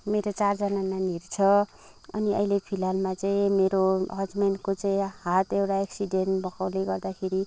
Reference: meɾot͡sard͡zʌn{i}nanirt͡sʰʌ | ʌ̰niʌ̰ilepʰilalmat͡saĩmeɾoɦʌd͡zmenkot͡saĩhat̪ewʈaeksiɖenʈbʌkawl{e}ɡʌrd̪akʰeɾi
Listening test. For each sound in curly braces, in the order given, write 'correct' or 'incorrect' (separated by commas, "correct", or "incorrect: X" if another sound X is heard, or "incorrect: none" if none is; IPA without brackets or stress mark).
incorrect: a, correct